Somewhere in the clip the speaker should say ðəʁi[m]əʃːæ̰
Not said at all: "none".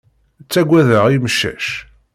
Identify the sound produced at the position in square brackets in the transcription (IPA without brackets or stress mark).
m